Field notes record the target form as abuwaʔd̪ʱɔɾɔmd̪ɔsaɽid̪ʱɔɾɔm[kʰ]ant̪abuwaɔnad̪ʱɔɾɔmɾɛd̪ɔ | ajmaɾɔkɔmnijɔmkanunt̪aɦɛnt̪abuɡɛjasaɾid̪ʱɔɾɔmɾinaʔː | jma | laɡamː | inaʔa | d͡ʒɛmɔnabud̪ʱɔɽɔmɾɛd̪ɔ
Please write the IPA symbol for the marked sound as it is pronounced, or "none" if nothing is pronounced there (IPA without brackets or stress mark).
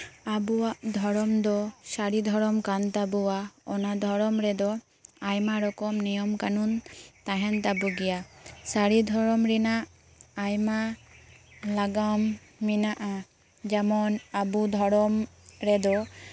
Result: k